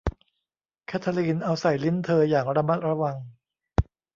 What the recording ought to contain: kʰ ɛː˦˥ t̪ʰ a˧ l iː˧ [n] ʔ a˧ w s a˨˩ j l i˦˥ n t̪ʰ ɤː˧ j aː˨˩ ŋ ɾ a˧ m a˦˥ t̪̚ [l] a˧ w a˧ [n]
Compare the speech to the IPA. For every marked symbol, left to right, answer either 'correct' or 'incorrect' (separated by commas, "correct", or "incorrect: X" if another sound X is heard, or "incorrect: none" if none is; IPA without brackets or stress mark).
correct, incorrect: ɾ, incorrect: ŋ